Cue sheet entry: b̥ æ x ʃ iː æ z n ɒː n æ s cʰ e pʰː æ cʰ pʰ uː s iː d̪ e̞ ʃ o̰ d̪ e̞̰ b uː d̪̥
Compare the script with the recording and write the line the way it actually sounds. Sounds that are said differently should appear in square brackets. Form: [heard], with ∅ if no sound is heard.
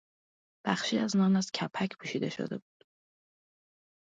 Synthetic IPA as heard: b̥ æ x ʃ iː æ z n ɒː n æ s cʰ [æ] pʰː æ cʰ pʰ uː [ʃ] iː d̪ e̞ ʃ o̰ d̪ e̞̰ b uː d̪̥